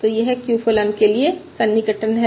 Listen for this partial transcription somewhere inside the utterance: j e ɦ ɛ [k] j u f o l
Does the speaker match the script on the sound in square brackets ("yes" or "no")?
yes